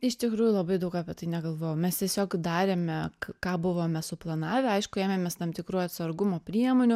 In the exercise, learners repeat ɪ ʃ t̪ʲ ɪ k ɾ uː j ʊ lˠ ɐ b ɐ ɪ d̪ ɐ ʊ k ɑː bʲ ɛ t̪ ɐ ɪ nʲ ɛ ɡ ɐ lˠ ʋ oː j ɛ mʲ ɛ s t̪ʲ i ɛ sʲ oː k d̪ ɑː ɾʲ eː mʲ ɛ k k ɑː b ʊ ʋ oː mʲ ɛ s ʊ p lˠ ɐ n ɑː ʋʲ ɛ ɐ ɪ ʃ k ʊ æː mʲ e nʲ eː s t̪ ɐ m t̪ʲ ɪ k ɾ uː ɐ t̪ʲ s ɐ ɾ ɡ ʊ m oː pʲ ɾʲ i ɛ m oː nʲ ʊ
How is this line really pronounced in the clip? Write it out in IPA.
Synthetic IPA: ɪ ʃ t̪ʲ ɪ k ɾ uː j ʊ lˠ ɐ b ɐ ɪ d̪ ɐ ʊ k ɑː pʲ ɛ t̪ ɐ ɪ nʲ ɛ ɡ ɐ lˠ ʋ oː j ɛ mʲ ɛ s t̪ʲ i ɛ sʲ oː k d̪ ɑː ɾʲ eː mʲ ɛ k k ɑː b ʊ ʋ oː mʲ ɛ s ʊ p lˠ ɐ n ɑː ʋʲ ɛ ɐ ɪ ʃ k ʊ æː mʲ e mʲ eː s t̪ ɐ m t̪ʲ ɪ k ɾ uː ɐ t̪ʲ s ɐ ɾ ɡ ʊ m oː pʲ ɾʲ i ɛ m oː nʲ ʊ